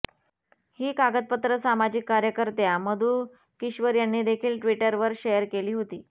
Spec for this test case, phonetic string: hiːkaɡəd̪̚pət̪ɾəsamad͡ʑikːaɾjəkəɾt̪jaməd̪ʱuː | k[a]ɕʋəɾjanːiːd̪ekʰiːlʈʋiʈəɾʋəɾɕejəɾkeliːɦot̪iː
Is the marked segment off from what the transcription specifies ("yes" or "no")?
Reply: yes